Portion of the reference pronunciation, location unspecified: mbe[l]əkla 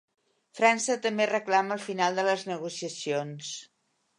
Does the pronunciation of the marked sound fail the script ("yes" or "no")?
yes